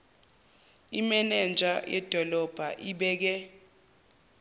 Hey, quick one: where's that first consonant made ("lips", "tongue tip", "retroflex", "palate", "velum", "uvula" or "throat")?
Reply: lips